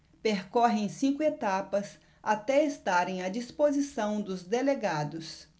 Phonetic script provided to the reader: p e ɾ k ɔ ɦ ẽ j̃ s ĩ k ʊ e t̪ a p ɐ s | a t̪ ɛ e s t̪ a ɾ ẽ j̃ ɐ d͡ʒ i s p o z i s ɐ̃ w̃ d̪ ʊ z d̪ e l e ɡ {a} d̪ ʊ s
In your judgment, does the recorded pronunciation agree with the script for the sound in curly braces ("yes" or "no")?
yes